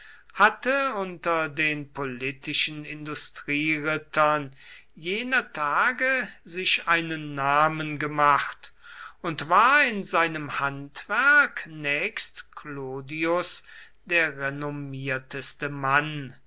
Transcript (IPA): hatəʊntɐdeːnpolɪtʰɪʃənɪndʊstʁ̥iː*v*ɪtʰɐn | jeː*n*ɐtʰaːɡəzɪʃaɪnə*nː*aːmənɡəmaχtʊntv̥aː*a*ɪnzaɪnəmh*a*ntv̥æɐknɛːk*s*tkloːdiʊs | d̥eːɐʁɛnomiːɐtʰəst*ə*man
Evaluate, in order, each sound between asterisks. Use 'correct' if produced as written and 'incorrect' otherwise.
incorrect: ʁ, correct, correct, incorrect: ɐ, correct, correct, correct

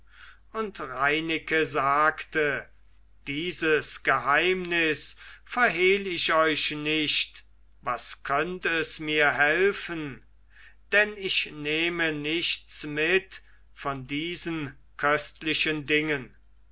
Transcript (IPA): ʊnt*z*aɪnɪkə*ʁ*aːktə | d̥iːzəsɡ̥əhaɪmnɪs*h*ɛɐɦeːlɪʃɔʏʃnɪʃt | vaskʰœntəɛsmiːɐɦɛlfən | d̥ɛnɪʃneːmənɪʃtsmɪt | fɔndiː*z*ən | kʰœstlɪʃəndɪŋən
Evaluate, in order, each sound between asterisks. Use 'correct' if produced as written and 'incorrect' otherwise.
incorrect: ʁ, incorrect: z, incorrect: f, correct

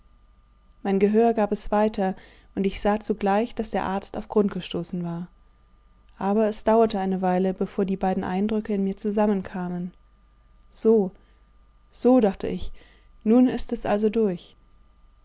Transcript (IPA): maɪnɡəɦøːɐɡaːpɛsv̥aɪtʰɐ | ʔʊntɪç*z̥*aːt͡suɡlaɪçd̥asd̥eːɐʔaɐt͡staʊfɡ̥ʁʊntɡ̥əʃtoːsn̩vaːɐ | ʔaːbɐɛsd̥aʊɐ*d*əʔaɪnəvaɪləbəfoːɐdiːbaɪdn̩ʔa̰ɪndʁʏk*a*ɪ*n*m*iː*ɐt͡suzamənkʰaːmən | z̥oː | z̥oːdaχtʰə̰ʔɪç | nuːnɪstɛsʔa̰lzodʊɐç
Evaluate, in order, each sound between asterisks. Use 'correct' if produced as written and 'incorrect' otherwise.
correct, incorrect: t, incorrect: ə, correct, correct

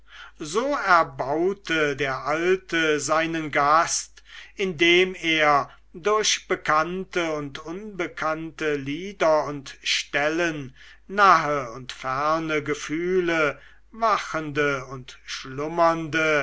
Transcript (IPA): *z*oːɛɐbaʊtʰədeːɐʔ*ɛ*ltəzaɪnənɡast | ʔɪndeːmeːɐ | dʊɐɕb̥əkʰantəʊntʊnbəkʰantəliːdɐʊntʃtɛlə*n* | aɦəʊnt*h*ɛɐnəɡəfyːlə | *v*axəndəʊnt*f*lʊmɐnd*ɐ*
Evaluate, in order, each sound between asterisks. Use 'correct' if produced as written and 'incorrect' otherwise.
correct, incorrect: a, incorrect: nː, incorrect: f, correct, incorrect: ʃ, incorrect: ə

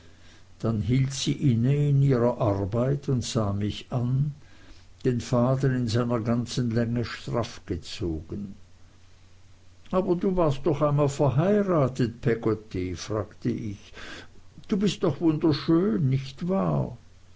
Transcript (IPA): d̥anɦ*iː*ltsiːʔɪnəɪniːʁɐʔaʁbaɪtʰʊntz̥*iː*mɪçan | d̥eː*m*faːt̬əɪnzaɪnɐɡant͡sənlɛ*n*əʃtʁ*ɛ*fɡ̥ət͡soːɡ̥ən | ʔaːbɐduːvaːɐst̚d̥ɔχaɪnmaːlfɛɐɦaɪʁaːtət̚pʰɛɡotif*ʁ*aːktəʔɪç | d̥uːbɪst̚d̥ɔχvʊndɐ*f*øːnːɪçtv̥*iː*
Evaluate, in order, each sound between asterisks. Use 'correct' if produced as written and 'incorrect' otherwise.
correct, incorrect: aː, incorrect: n, incorrect: ŋ, incorrect: a, correct, incorrect: ʃ, incorrect: aː

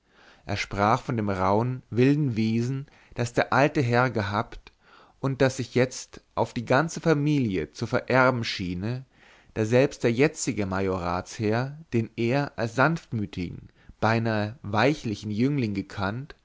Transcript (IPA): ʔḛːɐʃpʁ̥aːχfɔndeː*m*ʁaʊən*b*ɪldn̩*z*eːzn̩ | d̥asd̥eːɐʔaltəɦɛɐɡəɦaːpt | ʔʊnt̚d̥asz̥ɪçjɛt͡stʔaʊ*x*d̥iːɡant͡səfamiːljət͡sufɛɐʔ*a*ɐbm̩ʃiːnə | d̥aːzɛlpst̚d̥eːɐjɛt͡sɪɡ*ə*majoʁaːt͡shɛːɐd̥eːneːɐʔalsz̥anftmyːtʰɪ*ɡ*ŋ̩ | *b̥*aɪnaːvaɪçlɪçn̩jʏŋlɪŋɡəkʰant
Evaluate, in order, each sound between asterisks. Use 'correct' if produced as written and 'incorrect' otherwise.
correct, incorrect: v, incorrect: v, incorrect: f, incorrect: ɛ, correct, correct, correct

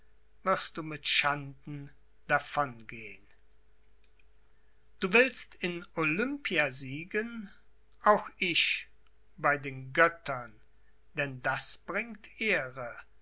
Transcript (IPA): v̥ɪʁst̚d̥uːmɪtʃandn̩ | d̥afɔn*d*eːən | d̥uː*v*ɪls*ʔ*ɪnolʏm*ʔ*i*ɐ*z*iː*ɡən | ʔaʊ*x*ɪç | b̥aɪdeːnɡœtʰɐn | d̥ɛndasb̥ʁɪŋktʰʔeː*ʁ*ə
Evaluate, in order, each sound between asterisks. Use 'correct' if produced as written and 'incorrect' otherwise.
incorrect: ɡ, correct, incorrect: t, incorrect: p, incorrect: a, correct, correct, correct

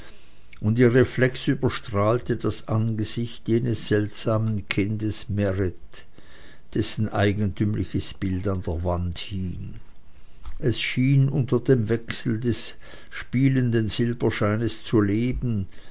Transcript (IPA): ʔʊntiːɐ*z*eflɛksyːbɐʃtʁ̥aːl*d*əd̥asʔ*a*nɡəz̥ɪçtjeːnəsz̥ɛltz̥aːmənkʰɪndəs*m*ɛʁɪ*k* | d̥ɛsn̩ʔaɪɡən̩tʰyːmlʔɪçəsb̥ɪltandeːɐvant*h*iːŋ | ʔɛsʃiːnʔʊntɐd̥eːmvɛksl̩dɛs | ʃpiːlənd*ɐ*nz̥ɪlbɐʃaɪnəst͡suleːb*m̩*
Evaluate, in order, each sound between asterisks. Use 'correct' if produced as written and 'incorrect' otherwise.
incorrect: ʁ, incorrect: t, correct, correct, incorrect: t, correct, incorrect: ə, incorrect: n̩

